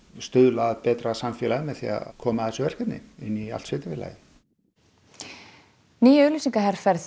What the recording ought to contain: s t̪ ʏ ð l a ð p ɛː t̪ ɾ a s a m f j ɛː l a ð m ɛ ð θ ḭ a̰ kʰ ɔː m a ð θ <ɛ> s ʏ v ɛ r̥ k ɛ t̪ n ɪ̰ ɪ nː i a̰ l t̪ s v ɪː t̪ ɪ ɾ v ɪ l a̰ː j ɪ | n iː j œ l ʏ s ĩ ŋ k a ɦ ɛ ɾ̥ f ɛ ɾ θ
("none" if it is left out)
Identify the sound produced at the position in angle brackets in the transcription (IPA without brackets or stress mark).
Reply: ɛ